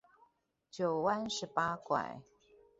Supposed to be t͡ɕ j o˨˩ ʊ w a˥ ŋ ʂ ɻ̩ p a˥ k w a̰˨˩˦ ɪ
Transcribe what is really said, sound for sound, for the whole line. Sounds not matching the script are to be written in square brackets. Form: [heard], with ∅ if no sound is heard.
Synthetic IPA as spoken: t͡ɕ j o˨˩ ʊ w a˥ [n] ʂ ɻ̩ p a˥ k w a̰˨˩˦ ɪ